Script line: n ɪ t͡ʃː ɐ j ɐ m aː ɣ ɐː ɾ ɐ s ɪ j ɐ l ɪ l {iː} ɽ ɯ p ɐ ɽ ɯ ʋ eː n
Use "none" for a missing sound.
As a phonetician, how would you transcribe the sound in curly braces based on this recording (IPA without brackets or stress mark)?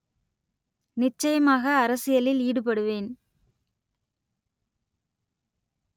iː